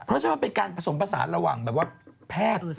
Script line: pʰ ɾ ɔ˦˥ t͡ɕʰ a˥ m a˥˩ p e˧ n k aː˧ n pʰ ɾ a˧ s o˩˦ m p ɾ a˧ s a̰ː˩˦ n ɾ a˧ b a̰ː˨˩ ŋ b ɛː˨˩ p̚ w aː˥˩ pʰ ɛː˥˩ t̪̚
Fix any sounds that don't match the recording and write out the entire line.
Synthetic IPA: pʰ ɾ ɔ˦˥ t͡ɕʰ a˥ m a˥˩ p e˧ n k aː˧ n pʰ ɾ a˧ s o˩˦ m p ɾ a˧ s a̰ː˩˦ n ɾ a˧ w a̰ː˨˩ ŋ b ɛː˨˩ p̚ w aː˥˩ pʰ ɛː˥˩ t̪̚